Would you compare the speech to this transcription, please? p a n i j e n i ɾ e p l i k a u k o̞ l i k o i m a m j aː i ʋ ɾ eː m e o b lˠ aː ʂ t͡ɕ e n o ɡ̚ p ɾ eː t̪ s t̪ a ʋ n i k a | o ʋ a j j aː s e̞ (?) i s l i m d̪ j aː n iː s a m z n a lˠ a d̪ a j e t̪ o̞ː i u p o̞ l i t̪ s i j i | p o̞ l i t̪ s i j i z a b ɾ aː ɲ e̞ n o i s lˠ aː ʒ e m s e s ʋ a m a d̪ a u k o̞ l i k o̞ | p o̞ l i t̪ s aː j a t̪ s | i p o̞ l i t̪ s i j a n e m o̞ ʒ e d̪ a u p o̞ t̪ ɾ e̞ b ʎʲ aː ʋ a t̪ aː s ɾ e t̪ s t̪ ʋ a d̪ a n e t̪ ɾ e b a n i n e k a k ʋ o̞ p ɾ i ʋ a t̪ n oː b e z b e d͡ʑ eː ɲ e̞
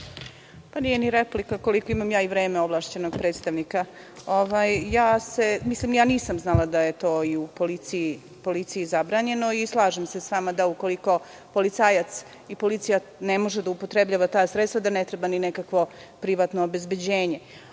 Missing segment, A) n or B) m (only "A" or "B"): B